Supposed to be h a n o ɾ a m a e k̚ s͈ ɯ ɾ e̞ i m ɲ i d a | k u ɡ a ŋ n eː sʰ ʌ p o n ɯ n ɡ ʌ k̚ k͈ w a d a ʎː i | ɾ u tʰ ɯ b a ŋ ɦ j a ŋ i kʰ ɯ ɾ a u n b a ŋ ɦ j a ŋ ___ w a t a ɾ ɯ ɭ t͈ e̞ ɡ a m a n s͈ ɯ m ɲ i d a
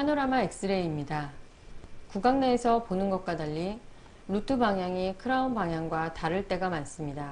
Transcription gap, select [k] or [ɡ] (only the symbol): ɡ